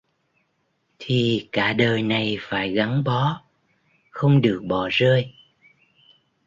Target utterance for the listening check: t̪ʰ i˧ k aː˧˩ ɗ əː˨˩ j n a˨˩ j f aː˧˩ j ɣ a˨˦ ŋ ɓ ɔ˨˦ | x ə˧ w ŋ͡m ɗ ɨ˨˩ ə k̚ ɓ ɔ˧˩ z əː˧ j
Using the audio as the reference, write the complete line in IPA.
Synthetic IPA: t̪ʰ i˨˩ k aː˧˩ ɗ əː˨˩ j n a˨˩ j f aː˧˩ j ɣ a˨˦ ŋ ɓ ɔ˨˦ | x ə˧ w ŋ͡m ɗ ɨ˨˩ ə k̚ ɓ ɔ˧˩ z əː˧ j